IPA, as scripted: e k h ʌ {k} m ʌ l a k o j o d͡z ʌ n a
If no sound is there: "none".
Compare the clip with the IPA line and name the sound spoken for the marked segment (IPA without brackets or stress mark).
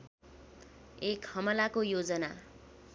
none